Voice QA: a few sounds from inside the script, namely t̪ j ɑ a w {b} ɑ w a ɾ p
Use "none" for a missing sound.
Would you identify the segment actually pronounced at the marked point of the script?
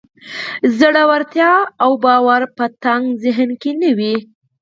b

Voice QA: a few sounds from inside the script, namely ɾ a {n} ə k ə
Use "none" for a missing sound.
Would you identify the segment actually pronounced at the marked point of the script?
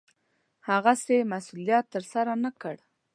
n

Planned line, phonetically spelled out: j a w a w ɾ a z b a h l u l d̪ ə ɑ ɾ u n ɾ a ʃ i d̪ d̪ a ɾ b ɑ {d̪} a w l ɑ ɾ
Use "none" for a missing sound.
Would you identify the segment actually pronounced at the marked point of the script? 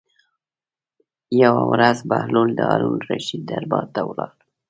t̪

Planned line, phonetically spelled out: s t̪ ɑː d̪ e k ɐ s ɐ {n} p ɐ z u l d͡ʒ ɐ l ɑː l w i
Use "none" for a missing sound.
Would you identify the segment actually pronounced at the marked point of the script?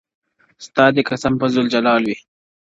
m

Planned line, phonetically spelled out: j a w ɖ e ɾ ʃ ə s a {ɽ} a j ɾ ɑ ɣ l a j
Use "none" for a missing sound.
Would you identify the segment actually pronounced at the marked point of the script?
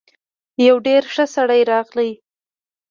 ɽ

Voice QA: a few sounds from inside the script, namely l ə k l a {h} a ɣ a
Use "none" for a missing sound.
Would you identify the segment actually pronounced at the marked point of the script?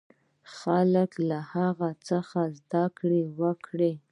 h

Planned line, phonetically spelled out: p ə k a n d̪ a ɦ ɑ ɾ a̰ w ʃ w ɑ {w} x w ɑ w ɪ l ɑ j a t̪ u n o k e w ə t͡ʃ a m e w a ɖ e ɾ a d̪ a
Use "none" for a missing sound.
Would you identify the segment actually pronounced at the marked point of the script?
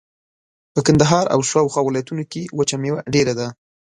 w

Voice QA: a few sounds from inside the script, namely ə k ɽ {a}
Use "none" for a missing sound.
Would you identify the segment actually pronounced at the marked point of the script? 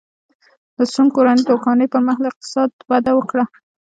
a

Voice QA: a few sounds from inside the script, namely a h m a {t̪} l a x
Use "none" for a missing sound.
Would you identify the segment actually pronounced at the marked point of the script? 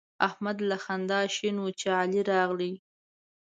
d̪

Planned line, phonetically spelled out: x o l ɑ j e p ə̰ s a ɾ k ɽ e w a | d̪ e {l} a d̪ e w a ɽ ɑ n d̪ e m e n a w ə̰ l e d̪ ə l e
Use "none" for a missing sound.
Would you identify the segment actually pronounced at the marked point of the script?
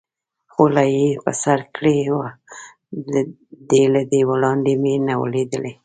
l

